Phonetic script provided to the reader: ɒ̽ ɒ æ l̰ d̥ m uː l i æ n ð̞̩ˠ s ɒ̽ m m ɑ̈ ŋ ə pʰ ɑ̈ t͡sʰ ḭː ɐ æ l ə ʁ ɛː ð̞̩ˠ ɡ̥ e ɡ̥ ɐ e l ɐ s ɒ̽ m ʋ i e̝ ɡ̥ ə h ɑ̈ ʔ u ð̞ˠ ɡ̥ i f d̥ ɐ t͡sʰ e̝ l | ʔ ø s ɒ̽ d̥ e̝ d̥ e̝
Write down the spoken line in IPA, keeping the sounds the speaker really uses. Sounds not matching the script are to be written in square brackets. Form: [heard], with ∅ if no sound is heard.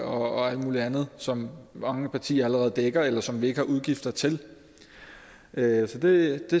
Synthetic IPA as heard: ɒ̽ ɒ æ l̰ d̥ m uː l i æ n ð̞̩ˠ s ɒ̽ m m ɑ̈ ŋ ə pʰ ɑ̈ t͡sʰ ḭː ɐ æ l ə ʁ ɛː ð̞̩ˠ [d̥] e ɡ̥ ɐ e l ɐ s ɒ̽ m ʋ i e̝ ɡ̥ ə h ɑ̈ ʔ u ð̞ˠ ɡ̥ i f d̥ ɐ t͡sʰ e̝ l | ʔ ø s ɒ̽ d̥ e̝ d̥ e̝

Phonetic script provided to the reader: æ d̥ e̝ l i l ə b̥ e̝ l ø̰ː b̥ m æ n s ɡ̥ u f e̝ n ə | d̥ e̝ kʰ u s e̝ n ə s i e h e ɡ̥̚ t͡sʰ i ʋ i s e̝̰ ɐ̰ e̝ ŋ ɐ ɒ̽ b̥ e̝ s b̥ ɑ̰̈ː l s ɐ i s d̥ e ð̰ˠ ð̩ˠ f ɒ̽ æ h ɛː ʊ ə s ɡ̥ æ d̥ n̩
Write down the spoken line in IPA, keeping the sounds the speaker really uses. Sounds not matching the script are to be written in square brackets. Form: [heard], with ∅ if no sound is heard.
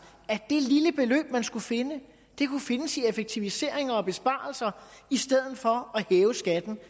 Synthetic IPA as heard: æ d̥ e̝ l i l ə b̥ e̝ l ø̰ː b̥ m æ n s ɡ̥ u f e̝ n ə | d̥ e̝ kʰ u [f] e̝ n ə s i e [f] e ɡ̥̚ t͡sʰ i ʋ i s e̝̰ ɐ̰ e̝ ŋ ɐ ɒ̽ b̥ e̝ s b̥ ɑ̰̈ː l s ɐ i s d̥ e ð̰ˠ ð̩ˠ f ɒ̽ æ h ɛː ʊ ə s ɡ̥ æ d̥ n̩

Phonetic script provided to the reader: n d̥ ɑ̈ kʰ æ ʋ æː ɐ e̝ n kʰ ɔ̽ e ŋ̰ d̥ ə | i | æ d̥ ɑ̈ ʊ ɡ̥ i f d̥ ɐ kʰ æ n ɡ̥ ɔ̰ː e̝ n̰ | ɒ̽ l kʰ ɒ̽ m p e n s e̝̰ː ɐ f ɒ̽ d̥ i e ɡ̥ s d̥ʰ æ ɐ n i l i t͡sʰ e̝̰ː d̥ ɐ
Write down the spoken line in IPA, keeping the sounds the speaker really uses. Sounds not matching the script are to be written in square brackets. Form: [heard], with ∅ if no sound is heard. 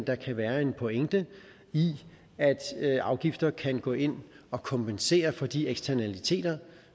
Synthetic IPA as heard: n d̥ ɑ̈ kʰ æ ʋ æː ɐ e̝ n [pʰ] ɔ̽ e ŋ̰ d̥ ə | i | æ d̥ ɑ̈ ʊ ɡ̥ i f d̥ ɐ kʰ æ n ɡ̥ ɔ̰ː e̝ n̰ | ɒ̽ [∅] kʰ ɒ̽ m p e n s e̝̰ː ɐ f ɒ̽ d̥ i e ɡ̥ s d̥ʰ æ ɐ n [æ] l i t͡sʰ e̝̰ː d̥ ɐ

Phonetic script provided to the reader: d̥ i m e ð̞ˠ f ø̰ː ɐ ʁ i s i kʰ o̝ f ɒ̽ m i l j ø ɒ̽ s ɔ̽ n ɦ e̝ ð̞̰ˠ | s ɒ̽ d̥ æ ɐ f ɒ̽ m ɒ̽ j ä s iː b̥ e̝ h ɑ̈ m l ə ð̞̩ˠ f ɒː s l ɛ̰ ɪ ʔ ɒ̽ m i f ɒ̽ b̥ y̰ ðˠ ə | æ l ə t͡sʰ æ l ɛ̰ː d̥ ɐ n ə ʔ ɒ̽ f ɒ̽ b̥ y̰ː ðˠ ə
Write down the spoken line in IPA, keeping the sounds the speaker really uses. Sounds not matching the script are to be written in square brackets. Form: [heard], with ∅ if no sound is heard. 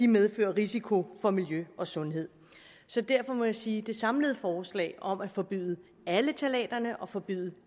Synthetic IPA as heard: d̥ i m e ð̞ˠ f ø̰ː ɐ ʁ i s i kʰ o̝ f ɒ̽ m i l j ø ɒ̽ s ɔ̽ n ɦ e̝ ð̞̰ˠ | s ɒ̽ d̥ æ ɐ f ɒ̽ m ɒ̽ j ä s iː [d̥] e̝ [s] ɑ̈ m l ə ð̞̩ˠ f ɒː s l ɛ̰ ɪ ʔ ɒ̽ m [æ] f ɒ̽ b̥ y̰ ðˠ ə | æ l ə t͡sʰ æ l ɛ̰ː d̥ ɐ n ə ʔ ɒ̽ f ɒ̽ b̥ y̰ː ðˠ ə

